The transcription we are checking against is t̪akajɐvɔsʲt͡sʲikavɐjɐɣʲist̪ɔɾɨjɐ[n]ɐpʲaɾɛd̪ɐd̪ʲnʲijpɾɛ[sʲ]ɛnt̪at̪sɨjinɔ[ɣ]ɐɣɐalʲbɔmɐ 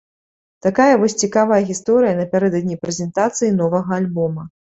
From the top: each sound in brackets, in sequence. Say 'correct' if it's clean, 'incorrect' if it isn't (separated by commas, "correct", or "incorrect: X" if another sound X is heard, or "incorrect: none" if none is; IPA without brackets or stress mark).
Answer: correct, incorrect: zʲ, incorrect: v